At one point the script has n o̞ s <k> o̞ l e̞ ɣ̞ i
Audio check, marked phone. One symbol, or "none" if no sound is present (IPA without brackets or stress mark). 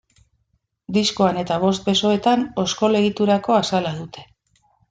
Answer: k